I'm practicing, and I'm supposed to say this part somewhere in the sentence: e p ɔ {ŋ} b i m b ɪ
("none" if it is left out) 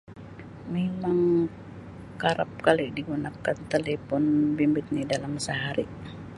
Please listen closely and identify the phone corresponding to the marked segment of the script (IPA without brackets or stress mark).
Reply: n